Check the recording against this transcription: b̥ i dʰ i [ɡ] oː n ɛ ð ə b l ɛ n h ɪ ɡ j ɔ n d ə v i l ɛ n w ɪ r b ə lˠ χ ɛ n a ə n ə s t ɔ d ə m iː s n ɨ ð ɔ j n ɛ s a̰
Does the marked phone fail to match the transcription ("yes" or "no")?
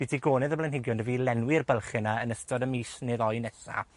no